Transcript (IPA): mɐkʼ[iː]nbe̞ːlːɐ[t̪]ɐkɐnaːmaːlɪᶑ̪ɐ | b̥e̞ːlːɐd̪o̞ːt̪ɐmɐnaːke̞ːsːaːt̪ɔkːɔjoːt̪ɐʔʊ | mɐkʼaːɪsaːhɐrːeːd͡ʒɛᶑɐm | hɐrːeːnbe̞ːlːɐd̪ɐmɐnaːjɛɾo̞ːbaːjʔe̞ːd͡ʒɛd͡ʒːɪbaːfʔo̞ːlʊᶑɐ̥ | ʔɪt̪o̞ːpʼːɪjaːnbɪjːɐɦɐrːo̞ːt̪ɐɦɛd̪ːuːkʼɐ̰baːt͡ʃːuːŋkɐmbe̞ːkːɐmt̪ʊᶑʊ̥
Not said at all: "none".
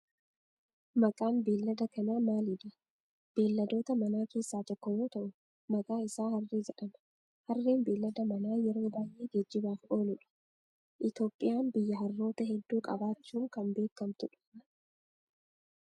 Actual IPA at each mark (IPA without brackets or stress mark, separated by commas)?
aː, d̪